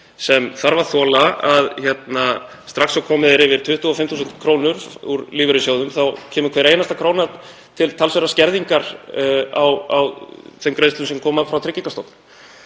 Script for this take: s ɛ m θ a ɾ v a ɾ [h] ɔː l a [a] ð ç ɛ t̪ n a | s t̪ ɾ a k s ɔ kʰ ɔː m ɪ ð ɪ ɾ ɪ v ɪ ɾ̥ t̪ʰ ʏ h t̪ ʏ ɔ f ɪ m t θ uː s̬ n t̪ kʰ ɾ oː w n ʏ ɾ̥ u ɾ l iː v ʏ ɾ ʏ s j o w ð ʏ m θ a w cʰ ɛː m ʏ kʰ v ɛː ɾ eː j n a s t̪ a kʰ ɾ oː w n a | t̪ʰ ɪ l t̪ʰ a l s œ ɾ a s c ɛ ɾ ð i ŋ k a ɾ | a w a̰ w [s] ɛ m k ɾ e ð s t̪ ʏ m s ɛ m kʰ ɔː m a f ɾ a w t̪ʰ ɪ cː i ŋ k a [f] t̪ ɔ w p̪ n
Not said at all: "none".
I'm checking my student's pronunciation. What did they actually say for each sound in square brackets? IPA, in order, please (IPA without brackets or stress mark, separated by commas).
θ, a, θ, s